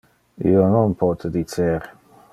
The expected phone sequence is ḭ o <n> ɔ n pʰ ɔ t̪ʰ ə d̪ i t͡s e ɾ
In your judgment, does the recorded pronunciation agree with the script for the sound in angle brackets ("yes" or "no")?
yes